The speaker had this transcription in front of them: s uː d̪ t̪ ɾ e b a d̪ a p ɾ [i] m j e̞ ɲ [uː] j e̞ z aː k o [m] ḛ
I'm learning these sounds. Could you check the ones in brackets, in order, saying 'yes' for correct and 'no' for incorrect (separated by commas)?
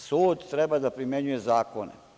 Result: yes, no, no